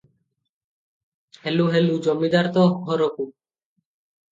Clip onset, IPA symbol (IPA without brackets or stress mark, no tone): h